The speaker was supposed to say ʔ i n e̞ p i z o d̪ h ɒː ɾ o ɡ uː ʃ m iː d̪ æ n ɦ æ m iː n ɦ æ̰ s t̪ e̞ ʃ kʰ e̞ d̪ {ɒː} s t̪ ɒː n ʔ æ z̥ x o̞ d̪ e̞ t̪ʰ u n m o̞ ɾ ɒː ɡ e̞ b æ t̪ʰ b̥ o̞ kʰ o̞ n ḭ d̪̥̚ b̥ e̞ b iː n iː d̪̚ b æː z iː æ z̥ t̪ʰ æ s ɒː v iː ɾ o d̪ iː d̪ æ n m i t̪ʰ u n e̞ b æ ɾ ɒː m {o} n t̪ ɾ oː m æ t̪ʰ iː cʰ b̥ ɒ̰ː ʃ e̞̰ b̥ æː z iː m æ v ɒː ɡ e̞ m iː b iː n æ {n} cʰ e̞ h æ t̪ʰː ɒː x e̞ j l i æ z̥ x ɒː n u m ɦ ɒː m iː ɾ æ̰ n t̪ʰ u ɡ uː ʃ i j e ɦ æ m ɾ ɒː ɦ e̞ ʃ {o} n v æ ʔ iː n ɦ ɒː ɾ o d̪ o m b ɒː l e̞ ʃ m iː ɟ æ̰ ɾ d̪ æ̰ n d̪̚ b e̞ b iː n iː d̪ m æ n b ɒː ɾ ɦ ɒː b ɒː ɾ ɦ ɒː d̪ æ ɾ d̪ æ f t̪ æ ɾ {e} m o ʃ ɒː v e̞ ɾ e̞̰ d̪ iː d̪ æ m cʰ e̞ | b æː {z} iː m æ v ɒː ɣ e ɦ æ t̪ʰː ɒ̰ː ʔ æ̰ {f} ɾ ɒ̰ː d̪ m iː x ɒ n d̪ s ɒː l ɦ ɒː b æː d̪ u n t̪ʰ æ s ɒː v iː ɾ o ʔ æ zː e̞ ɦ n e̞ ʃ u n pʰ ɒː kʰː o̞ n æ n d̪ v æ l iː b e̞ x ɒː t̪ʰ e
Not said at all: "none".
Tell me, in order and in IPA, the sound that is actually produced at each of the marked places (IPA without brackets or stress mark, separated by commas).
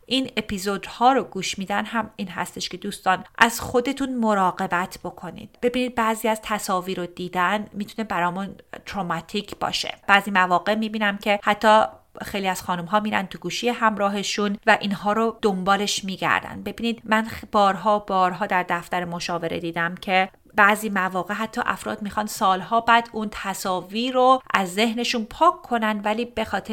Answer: uː, u, m, u, e, z, f